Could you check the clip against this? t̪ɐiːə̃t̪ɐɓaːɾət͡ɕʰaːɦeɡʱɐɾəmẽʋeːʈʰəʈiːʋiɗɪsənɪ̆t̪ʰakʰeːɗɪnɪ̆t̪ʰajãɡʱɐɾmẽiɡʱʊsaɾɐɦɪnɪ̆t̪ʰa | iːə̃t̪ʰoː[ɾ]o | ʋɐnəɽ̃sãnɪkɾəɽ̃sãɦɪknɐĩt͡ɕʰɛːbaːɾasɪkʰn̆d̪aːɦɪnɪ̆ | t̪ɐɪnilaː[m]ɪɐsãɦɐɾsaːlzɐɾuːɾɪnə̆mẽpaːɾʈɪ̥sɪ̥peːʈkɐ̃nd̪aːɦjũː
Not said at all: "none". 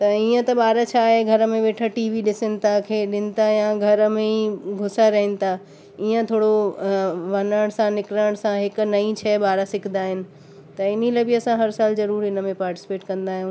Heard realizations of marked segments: ɽ, b

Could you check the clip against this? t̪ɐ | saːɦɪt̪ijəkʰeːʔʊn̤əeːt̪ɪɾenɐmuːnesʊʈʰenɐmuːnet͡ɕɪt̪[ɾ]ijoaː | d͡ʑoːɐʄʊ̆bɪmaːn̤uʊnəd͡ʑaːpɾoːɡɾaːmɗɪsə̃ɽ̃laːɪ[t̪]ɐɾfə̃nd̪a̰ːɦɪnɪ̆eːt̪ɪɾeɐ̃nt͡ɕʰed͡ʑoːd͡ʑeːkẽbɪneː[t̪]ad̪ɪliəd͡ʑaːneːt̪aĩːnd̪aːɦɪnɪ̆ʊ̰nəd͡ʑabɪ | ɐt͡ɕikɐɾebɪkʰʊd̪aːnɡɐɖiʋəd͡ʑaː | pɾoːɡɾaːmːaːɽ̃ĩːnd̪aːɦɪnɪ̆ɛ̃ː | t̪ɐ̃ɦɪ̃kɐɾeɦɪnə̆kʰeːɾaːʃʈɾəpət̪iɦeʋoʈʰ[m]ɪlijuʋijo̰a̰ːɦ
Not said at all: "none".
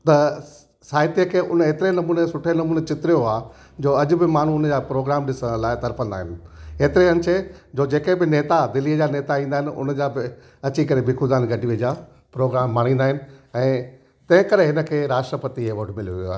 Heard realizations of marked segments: ɾ, t̪, t̪, m

